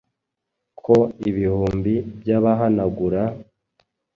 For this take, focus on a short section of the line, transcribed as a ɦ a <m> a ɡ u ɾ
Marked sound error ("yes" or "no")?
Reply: yes